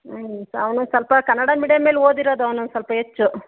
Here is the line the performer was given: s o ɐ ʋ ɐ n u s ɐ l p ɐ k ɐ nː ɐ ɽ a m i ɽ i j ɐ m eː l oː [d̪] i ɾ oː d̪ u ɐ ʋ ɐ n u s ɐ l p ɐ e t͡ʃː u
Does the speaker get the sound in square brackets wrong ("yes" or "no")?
no